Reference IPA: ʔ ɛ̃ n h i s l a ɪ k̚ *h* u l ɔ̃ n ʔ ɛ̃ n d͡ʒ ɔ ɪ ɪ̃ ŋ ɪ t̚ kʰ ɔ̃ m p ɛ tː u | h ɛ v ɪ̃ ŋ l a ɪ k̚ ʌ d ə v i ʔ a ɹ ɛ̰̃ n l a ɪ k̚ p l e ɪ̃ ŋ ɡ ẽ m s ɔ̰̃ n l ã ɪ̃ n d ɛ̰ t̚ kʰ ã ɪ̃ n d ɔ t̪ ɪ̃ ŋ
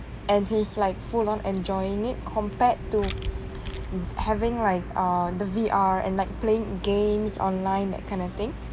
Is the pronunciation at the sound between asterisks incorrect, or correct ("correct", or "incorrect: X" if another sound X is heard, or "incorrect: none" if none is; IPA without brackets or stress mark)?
incorrect: f